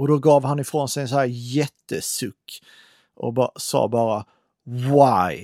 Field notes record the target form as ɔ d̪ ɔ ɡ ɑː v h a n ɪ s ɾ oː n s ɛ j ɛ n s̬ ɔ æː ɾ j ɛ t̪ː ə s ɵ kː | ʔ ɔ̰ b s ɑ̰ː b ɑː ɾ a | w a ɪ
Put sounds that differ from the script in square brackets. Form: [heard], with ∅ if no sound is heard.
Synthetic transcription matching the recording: ɔ d̪ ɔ ɡ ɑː v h a n ɪ [f] ɾ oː n s ɛ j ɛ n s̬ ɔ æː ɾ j ɛ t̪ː ə s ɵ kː | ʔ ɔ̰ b s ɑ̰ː b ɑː ɾ a | w a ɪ